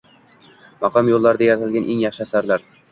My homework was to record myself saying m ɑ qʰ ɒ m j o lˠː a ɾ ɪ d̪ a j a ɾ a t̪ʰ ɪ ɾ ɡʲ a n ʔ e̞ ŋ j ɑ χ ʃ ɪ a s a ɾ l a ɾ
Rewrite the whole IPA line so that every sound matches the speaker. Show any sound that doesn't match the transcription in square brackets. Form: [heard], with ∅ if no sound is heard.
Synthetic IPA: m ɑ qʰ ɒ m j o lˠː a ɾ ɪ d̪ a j a ɾ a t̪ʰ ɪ [l] ɡʲ a n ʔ e̞ ŋ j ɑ χ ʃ ɪ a s a ɾ l a ɾ